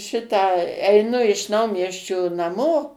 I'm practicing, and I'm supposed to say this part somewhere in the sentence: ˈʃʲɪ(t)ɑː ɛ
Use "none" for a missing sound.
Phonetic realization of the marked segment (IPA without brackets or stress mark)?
t